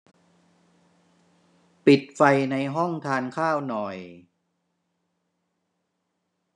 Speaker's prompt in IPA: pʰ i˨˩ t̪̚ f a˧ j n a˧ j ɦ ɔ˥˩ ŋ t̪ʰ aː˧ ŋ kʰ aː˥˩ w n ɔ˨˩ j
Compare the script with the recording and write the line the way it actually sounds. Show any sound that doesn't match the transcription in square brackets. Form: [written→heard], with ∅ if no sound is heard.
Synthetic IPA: [pʰ→p] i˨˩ t̪̚ f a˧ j n a˧ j ɦ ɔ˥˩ ŋ t̪ʰ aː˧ [ŋ→n] kʰ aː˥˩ w n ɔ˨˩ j